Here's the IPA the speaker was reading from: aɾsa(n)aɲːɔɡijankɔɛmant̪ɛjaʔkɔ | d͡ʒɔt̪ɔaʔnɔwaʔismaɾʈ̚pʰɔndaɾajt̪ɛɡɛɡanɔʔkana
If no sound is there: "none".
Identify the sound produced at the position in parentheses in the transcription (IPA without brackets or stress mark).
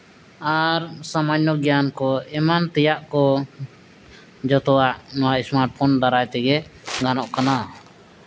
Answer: m